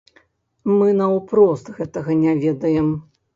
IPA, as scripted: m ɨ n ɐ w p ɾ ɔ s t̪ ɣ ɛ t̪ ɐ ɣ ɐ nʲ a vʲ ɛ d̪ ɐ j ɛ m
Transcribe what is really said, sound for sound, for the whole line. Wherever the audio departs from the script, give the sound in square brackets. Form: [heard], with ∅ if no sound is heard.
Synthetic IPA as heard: m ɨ n ɐ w p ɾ ɔ s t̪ ɣ ɛ t̪ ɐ ɣ ɐ nʲ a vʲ ɛ d̪ ɐ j ɛ m